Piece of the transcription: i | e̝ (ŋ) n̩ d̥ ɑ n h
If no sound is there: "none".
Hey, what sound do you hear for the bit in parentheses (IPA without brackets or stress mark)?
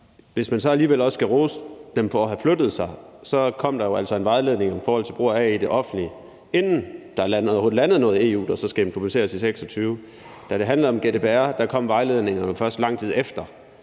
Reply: n